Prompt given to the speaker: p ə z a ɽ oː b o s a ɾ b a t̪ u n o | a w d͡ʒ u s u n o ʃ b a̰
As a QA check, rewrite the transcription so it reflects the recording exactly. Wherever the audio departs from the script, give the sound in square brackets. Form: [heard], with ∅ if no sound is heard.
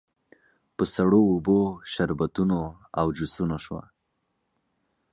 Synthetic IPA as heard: p ə [s] a ɽ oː b o [ʃ] a ɾ b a t̪ u n o | a w d͡ʒ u s u n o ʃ [w] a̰